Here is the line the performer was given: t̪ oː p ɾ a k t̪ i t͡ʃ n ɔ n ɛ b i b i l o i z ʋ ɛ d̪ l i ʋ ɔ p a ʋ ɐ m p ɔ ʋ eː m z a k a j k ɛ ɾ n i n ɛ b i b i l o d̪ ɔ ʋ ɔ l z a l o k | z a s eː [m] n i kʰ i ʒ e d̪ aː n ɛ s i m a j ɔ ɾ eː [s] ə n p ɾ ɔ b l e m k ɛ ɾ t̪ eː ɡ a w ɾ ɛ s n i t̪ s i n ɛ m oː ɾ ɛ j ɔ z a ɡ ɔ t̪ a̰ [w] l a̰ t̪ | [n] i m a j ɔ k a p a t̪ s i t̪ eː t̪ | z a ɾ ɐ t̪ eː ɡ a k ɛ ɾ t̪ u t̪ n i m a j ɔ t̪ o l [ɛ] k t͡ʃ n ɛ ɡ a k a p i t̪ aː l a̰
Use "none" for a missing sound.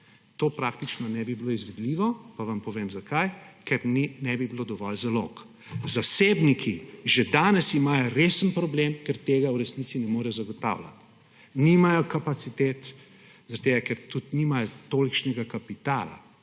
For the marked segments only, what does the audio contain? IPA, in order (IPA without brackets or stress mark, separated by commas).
b, s, w, n, i